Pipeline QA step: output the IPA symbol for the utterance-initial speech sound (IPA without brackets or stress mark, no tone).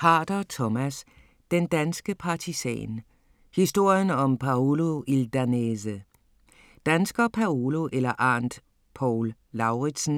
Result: h